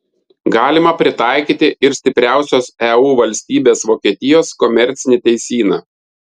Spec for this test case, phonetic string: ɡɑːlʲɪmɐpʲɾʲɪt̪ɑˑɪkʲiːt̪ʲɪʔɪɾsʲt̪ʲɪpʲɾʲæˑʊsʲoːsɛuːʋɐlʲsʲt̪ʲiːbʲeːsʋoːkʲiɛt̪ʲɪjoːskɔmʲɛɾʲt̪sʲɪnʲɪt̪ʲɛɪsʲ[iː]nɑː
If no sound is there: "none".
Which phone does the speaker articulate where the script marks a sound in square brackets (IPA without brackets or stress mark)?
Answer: iː